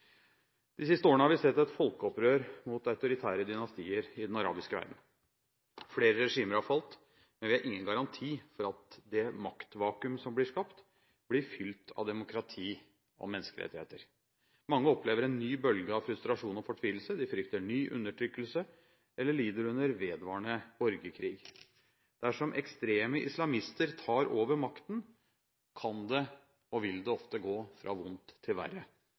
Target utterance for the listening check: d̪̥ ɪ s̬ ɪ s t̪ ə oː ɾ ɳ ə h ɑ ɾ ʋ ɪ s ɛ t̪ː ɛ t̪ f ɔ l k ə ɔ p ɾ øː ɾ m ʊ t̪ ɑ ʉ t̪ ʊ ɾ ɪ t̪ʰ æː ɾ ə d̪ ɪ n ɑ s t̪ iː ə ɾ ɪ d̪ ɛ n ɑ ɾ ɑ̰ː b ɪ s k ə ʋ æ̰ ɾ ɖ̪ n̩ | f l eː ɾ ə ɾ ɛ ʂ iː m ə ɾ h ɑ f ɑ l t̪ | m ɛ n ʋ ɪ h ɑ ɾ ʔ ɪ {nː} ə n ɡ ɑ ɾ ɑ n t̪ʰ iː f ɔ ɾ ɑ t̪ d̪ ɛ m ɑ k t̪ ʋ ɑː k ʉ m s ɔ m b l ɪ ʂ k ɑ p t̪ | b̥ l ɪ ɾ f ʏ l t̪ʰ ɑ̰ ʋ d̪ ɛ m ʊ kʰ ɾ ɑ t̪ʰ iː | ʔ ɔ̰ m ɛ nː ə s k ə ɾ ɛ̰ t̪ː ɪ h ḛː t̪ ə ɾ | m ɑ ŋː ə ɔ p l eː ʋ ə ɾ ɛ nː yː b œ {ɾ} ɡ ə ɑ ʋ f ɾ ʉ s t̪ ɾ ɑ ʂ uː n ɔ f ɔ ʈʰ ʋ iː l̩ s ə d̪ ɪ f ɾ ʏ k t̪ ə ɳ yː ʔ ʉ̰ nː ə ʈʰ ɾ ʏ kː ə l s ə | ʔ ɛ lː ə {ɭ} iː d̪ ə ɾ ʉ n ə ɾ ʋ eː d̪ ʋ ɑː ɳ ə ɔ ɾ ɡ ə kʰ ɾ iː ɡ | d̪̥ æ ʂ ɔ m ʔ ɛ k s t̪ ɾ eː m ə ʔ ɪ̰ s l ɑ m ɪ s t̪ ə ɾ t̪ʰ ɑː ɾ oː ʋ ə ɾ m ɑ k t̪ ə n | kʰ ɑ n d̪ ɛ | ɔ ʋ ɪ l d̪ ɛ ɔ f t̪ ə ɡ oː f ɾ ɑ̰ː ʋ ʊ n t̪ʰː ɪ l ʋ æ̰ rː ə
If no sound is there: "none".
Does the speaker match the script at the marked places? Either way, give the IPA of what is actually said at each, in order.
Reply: ŋː, l, ɭ

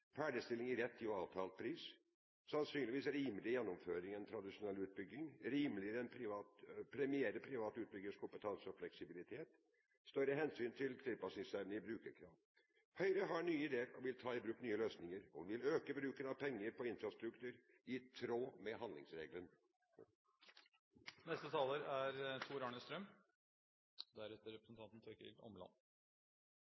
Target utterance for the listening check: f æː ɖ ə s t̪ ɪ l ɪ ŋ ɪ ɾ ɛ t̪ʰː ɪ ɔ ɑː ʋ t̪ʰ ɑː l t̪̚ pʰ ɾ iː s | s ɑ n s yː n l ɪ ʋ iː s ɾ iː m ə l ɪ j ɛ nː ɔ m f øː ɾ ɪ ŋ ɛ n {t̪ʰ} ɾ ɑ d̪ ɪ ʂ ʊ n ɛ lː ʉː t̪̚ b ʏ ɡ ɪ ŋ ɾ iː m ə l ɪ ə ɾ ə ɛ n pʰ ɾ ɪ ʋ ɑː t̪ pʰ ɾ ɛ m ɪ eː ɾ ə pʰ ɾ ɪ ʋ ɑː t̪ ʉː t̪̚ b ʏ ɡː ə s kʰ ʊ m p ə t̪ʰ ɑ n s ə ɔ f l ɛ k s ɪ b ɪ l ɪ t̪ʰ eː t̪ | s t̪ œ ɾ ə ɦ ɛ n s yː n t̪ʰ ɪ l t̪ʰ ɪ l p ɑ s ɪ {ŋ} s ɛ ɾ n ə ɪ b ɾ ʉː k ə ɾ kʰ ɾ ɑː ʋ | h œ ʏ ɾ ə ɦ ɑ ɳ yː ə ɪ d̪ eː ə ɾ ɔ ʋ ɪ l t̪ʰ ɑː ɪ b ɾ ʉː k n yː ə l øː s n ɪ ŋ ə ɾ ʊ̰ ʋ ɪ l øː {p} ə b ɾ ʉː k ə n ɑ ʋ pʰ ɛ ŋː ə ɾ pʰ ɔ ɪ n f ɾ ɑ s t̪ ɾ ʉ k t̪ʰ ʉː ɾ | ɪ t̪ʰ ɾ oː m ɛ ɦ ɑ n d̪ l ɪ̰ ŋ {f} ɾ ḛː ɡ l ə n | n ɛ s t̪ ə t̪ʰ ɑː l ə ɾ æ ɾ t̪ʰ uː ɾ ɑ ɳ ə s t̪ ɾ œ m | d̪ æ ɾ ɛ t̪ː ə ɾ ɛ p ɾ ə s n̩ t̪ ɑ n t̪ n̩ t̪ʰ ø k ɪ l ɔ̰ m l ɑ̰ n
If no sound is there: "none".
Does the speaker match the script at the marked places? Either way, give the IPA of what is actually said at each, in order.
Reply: t̪ʰ, ŋ, k, s

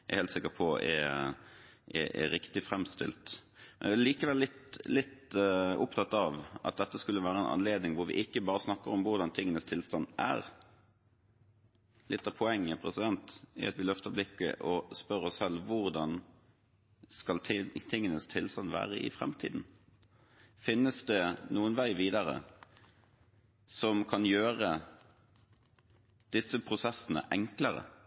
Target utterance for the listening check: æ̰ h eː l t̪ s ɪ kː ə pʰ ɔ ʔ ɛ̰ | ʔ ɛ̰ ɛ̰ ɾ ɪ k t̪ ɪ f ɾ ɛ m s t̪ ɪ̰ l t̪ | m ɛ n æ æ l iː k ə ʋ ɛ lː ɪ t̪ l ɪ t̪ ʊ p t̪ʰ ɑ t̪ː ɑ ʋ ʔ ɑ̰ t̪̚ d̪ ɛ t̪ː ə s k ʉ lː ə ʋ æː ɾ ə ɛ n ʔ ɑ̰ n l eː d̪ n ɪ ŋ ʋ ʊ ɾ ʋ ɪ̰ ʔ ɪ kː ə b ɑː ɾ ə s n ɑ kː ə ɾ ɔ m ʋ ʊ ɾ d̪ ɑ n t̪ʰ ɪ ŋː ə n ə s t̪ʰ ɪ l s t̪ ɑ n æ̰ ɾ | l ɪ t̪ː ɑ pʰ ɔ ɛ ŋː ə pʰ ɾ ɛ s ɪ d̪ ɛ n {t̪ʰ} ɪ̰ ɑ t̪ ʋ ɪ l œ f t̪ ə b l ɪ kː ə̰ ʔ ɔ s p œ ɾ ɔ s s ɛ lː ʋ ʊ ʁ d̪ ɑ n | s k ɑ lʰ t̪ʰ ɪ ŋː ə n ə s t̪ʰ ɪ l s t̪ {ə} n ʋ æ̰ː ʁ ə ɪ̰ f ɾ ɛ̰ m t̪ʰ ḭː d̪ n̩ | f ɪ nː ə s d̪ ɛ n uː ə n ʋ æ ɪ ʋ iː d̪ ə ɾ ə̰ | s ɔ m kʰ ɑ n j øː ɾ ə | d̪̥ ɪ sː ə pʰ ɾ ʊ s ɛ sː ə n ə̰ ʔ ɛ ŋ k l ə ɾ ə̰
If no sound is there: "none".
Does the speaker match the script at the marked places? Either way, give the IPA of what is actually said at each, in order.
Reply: t̪, ɑ

